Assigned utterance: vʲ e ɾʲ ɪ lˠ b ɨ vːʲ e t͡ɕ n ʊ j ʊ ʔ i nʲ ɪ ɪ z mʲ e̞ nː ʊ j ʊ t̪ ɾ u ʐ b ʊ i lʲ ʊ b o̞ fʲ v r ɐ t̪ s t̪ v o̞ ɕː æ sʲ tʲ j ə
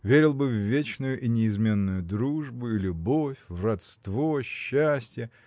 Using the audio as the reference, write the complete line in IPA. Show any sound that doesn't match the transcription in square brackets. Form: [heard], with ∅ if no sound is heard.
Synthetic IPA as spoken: vʲ e ɾʲ ɪ lˠ b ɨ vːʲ e t͡ɕ n ʊ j ʊ ʔ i nʲ ɪ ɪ z mʲ e̞ nː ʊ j ʊ [d̪] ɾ u ʐ b ʊ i lʲ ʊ b o̞ fʲ v r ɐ t̪ s t̪ v o̞ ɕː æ sʲ tʲ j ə